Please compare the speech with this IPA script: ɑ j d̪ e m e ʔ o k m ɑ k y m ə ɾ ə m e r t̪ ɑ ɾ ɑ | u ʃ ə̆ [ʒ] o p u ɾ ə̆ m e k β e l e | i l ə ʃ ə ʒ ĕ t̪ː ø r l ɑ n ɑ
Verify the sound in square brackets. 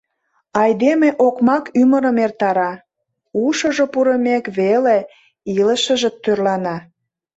correct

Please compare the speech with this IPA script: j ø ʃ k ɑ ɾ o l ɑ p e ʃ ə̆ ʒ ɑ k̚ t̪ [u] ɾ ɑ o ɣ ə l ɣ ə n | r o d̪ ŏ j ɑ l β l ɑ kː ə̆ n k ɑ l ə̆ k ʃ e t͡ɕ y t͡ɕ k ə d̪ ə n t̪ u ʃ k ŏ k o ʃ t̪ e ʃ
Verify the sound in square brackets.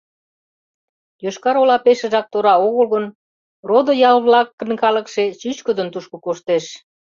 incorrect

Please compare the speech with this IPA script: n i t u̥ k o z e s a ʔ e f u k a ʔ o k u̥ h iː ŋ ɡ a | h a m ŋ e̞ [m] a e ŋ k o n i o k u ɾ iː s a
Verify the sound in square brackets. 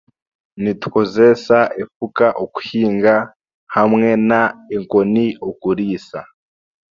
incorrect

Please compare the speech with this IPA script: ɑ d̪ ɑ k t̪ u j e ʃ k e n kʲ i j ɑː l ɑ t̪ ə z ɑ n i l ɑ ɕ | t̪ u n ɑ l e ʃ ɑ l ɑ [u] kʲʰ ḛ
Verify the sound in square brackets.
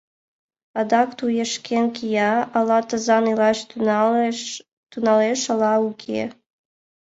correct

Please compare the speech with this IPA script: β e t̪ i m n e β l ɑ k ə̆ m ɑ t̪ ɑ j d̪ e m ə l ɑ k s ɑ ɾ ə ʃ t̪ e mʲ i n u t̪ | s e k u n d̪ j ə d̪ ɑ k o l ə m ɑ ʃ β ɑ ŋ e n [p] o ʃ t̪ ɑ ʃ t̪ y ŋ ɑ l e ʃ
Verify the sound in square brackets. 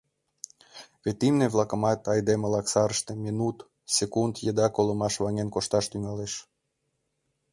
incorrect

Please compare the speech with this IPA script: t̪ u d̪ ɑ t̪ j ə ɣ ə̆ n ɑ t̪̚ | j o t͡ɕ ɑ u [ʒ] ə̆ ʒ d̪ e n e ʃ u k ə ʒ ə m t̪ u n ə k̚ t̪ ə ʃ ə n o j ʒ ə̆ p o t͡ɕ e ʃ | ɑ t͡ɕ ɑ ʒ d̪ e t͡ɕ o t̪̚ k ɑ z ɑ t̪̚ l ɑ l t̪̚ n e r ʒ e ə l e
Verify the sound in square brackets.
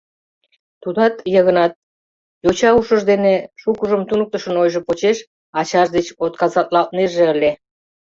incorrect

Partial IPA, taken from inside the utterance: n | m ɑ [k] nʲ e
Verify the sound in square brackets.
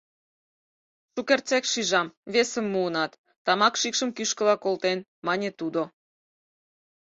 incorrect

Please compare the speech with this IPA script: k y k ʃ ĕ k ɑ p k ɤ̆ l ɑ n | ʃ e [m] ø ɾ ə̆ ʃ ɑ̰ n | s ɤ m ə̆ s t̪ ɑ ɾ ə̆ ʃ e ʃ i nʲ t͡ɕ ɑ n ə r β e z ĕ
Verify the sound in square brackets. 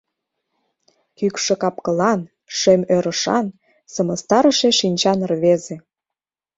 correct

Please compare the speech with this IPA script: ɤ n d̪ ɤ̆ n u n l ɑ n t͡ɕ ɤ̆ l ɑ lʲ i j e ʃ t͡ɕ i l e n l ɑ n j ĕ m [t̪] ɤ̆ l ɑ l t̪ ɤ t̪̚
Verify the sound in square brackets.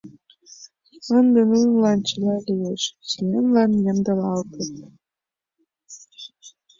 incorrect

